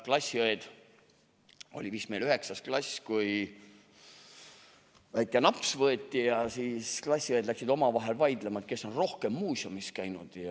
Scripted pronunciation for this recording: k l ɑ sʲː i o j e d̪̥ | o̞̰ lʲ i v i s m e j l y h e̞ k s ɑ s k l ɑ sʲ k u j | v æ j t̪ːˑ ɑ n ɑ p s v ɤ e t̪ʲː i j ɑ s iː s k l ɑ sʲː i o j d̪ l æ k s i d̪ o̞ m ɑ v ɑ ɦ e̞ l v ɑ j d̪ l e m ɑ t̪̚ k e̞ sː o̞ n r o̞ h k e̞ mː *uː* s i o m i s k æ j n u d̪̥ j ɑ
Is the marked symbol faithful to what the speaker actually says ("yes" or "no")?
yes